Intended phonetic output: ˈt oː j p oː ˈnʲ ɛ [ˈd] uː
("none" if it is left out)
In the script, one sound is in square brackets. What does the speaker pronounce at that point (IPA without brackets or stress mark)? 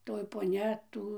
t